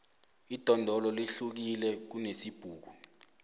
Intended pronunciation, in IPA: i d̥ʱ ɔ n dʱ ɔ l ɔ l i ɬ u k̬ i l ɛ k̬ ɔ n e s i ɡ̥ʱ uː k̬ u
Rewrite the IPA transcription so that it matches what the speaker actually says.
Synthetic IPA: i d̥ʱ ɔ n dʱ ɔ l ɔ l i ɬ u k̬ i l ɛ k̬ u n e s i b̥ʱ uː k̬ u